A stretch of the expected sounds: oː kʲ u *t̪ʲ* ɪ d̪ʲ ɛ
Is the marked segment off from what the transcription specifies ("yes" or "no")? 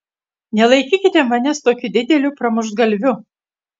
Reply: yes